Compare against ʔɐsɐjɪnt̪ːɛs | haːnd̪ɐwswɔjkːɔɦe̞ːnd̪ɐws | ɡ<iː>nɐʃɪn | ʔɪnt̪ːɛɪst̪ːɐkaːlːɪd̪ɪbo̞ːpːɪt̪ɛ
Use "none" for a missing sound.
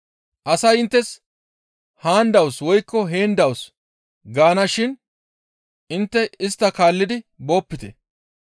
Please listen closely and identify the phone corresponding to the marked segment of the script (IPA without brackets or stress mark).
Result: aː